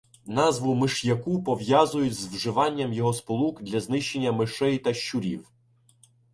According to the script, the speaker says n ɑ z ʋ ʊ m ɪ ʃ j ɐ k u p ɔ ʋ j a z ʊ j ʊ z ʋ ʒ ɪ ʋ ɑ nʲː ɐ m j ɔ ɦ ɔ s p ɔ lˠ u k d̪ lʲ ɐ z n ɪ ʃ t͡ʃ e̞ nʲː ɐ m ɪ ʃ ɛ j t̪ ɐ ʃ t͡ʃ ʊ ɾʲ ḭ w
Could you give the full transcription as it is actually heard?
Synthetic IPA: n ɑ z ʋ ʊ m ɪ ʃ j ɐ k u p ɔ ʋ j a z ʊ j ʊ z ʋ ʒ ɪ ʋ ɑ nʲː ɐ m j ɔ ɦ ɔ s p ɔ lˠ u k d̪ lʲ ɐ z n ɪ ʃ t͡ʃ e̞ nʲː ɐ m ɪ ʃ ɛ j t̪ ɐ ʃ t͡ʃ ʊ ɾʲ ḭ w